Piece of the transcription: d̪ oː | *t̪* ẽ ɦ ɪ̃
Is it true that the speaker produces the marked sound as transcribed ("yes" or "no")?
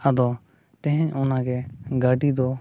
yes